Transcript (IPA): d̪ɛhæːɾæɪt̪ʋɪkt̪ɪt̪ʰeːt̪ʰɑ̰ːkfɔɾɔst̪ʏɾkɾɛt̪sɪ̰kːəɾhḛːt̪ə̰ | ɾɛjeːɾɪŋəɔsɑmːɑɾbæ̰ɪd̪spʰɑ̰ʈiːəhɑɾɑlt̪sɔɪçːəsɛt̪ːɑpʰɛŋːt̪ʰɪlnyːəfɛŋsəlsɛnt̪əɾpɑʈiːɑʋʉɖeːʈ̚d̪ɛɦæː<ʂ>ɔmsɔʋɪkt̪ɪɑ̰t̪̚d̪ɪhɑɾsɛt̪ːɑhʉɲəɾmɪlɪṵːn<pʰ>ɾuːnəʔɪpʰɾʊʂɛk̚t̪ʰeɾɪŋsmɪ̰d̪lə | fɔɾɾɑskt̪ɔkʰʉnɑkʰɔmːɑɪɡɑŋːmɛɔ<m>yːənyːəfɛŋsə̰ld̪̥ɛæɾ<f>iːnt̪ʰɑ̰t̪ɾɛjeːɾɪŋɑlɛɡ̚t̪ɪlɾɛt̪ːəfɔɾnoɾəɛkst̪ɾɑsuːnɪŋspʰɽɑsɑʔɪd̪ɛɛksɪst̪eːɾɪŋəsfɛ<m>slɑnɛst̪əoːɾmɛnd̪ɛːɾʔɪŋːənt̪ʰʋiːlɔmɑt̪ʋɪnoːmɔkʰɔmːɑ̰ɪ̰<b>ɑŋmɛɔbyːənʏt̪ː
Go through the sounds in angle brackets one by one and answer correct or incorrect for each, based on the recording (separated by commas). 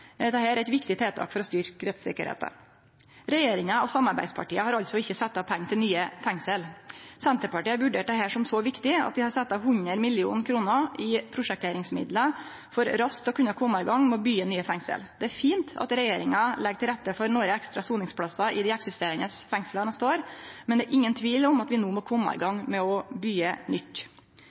correct, incorrect, incorrect, correct, incorrect, incorrect